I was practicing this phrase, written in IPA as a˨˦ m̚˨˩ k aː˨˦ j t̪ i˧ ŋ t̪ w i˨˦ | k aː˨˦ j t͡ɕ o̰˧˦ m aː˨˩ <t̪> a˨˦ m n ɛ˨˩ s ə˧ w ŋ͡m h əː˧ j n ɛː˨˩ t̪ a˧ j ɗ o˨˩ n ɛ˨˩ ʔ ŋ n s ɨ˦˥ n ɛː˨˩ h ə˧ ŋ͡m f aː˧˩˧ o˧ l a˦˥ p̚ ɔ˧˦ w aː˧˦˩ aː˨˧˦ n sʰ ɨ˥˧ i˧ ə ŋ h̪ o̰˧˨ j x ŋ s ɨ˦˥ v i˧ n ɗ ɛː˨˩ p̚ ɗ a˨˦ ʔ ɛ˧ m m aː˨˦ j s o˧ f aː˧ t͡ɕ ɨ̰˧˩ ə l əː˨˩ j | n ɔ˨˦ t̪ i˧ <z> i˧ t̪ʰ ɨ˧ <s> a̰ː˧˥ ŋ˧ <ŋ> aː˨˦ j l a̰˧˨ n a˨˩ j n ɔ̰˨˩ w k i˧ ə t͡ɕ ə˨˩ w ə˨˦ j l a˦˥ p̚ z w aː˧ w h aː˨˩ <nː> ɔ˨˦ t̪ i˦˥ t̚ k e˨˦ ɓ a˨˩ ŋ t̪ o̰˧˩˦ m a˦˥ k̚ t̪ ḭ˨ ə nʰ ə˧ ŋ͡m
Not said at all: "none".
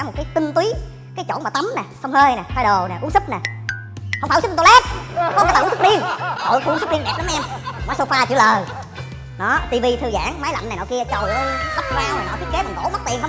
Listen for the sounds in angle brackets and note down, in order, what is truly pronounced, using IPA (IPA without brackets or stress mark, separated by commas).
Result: t̪, v, z, m, n